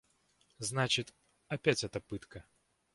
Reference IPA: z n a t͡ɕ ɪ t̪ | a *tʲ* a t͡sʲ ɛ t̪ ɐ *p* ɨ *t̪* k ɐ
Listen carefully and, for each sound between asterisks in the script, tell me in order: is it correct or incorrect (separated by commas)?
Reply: incorrect, correct, correct